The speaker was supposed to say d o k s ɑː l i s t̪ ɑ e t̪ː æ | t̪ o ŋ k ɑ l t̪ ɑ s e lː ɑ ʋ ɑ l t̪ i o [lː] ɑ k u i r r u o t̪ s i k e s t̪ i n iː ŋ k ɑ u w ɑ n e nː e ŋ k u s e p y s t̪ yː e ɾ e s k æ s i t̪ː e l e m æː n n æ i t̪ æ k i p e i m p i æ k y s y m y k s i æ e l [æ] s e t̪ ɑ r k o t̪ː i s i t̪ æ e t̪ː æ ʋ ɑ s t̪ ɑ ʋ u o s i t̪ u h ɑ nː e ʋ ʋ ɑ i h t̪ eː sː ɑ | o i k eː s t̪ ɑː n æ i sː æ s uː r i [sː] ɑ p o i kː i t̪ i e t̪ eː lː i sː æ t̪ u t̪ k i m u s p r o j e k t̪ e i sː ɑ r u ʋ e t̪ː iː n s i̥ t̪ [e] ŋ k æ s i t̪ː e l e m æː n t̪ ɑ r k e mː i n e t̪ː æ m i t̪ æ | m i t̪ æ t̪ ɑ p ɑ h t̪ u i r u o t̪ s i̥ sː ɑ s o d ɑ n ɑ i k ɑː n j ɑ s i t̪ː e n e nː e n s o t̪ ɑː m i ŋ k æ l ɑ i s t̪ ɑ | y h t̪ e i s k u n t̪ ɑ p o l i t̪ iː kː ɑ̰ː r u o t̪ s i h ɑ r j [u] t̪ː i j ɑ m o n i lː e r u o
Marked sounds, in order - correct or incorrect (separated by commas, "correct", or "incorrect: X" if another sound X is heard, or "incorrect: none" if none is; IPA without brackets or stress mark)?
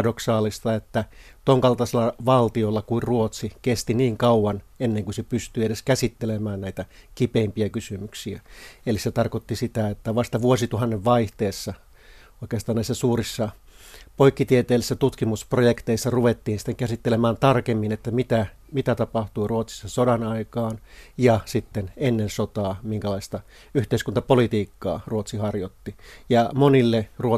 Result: correct, incorrect: i, correct, correct, incorrect: o